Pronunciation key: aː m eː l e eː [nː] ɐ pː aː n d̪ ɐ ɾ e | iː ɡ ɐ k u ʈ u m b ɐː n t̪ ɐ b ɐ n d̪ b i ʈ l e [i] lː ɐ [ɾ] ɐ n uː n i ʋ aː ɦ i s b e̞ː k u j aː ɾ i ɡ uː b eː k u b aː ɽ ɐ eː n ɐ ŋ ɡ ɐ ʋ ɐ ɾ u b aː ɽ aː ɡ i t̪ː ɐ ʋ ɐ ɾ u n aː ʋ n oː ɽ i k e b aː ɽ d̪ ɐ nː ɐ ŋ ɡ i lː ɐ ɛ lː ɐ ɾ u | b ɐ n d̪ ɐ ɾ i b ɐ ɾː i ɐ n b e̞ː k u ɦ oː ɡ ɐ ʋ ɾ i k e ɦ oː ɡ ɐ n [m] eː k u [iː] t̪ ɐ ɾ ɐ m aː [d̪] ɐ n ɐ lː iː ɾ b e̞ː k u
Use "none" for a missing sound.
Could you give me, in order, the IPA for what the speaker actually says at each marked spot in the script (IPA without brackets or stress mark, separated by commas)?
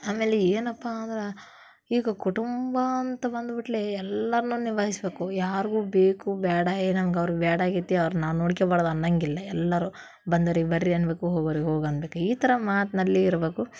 n, ɛ, ɾ, b, iː, t̪